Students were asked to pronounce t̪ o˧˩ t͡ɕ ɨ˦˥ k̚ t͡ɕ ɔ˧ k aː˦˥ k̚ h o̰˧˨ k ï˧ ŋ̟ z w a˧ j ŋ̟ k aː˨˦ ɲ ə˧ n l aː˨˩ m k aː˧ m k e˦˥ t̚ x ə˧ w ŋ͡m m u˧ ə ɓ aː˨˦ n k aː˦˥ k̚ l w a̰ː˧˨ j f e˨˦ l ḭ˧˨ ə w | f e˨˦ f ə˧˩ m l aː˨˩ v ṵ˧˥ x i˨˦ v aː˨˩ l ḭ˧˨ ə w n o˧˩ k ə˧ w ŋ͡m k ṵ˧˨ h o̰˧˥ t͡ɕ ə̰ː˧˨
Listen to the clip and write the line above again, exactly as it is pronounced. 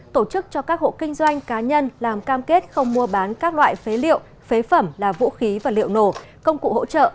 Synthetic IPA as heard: t̪ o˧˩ t͡ɕ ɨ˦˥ k̚ t͡ɕ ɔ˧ k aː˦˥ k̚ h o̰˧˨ k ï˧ ŋ̟ z w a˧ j ŋ̟ k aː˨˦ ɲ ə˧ n l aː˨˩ m k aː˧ m k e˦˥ t̚ x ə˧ w ŋ͡m m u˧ ə ɓ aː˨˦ n k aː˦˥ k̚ l w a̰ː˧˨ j f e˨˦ l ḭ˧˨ ə w | f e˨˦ f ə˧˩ m l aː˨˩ v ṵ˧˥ x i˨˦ v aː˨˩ l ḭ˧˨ ə w n o˧˩ k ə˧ w ŋ͡m k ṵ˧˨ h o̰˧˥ t͡ɕ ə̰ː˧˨